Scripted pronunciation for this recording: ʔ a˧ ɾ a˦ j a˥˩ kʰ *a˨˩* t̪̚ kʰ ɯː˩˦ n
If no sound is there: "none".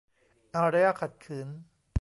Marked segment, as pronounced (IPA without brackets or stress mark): a˨˩